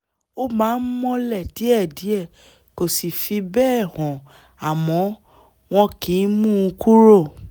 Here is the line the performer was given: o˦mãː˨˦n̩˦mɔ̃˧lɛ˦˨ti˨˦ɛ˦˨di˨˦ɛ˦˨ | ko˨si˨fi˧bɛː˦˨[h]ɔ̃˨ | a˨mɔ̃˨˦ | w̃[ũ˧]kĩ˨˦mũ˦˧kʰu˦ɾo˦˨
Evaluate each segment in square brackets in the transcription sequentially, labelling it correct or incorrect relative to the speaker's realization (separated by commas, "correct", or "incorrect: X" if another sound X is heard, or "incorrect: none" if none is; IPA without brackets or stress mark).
correct, incorrect: ɔ̃˧